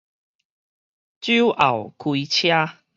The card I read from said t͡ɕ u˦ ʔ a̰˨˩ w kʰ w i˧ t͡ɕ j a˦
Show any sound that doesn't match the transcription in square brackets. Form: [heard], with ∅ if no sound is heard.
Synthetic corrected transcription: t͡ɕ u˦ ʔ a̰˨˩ w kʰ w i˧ [t͡ɕʰ] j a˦